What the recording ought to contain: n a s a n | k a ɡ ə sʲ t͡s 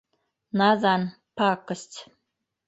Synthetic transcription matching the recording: n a z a n | p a k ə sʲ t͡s